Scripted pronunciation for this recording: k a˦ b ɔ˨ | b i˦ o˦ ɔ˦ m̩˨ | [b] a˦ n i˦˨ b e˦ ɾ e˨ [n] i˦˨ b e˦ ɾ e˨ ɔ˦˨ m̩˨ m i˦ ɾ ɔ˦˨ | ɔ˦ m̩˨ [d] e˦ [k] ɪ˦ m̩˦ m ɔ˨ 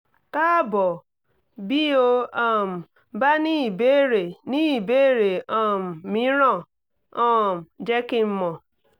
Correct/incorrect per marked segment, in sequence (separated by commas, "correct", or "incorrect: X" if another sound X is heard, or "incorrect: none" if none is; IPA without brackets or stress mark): correct, correct, incorrect: d͡ʒ, correct